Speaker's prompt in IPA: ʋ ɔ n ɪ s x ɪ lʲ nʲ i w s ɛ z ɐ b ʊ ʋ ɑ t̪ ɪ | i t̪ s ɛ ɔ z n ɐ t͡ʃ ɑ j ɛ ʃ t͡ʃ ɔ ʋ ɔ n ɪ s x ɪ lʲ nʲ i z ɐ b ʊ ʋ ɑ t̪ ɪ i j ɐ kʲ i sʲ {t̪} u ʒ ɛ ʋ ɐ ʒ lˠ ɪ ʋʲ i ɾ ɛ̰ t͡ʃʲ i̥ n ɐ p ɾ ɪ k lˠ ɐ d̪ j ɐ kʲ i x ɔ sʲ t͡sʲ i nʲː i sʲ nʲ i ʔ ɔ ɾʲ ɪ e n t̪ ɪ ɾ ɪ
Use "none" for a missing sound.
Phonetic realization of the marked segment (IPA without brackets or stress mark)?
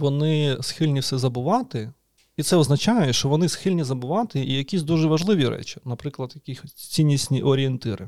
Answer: d̪